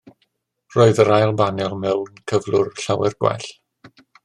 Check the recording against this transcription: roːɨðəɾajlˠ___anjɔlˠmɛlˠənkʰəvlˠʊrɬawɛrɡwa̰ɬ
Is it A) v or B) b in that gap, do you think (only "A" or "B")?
B